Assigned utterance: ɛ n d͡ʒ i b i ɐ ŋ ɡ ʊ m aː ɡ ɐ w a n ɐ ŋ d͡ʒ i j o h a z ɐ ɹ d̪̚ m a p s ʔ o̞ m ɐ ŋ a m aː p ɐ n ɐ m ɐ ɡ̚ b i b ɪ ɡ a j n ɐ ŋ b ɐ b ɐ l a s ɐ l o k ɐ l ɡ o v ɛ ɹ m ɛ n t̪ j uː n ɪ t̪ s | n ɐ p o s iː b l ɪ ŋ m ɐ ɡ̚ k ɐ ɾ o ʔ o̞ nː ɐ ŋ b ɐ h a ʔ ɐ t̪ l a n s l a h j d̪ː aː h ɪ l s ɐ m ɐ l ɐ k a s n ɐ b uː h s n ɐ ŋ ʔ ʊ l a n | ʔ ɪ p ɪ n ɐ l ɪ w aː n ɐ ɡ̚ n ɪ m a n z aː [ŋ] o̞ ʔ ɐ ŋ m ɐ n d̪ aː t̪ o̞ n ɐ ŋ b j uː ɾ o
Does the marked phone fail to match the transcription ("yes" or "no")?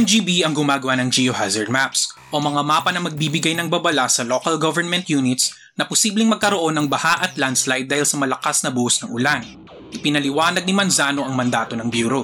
yes